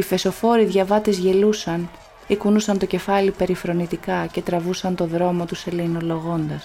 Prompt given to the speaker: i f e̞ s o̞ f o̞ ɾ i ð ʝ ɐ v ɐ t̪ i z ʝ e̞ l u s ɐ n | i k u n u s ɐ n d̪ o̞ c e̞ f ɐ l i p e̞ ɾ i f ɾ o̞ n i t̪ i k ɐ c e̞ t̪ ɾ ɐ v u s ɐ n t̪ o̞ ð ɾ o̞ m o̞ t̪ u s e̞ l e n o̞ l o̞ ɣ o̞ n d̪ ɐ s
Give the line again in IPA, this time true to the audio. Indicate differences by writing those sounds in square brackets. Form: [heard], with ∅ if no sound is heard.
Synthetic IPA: i f e̞ s o̞ f o̞ ɾ i ð ʝ ɐ v ɐ t̪ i z ʝ e̞ l u s ɐ n | i k u n u s ɐ n [t̪] o̞ c e̞ f ɐ l i p e̞ ɾ i f ɾ o̞ n i t̪ i k ɐ c e̞ t̪ ɾ ɐ v u s ɐ n t̪ o̞ ð ɾ o̞ m o̞ t̪ u s e̞ l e n o̞ l o̞ ɣ o̞ n d̪ ɐ s